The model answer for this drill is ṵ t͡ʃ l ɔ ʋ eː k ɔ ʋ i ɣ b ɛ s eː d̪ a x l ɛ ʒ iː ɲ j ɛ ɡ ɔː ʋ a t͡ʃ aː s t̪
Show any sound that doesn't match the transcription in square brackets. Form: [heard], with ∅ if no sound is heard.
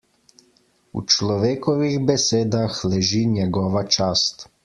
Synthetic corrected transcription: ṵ t͡ʃ l ɔ ʋ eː k ɔ ʋ i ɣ b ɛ s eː d̪ a x l ɛ ʒ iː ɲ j ɛ ɡ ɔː ʋ a t͡ʃ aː s t̪